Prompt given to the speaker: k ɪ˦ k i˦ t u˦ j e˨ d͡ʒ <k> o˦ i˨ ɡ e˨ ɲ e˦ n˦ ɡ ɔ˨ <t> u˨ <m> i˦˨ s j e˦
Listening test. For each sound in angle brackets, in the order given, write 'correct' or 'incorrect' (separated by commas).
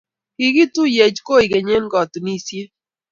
correct, correct, incorrect